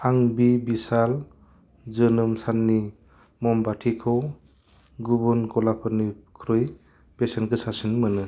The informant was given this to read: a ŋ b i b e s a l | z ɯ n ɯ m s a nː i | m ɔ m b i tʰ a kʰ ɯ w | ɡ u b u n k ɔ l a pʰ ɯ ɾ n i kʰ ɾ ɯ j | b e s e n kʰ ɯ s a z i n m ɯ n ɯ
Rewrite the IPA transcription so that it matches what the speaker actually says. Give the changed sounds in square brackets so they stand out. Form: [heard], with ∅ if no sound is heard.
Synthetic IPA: a ŋ b i b [i] s a l | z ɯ n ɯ m s a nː i | m ɔ m b [a] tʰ [i] kʰ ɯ w | ɡ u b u n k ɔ l a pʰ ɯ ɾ n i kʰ ɾ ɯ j | b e s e n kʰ ɯ s a [s] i n m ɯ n ɯ